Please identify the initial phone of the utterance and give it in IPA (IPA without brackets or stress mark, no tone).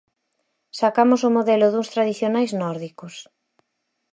s